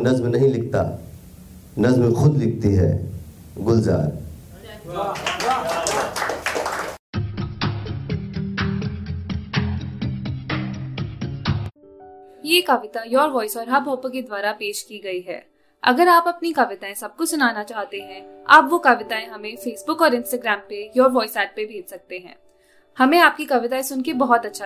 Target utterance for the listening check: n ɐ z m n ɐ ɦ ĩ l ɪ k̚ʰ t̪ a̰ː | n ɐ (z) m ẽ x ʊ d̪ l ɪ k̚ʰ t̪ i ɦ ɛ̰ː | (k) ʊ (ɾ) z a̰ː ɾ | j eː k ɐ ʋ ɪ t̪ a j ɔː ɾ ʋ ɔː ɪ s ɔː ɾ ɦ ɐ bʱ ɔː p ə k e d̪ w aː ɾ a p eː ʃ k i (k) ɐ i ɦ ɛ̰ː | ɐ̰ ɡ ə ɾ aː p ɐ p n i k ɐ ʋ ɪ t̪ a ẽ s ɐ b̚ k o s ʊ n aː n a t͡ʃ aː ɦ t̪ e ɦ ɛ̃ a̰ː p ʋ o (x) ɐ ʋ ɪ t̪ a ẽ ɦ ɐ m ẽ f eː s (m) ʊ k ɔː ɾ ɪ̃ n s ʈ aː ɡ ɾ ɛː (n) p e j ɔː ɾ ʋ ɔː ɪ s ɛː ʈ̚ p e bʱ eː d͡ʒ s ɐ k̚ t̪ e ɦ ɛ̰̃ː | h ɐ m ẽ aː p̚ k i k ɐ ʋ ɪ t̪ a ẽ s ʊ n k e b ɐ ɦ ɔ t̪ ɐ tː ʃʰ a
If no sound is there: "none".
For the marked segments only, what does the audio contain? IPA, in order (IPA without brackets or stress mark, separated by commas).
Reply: z, ɡ, l, ɡ, k, b, m